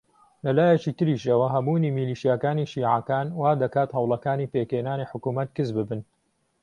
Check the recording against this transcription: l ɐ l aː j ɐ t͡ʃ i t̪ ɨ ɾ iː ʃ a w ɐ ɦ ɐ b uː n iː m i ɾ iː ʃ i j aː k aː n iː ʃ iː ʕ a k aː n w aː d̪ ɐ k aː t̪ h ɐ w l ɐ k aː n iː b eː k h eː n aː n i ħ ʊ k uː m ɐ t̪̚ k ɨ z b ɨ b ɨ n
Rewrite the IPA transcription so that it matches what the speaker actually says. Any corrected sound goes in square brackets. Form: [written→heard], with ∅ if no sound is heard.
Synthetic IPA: l ɐ l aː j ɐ t͡ʃ i t̪ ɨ ɾ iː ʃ [a→ɐ] w ɐ ɦ ɐ b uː n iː m i [ɾ→l] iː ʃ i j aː k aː n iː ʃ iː ʕ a k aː n w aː d̪ ɐ k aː t̪ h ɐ w l ɐ k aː n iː [b→p] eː k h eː n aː n i ħ ʊ k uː m ɐ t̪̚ k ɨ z b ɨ b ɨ n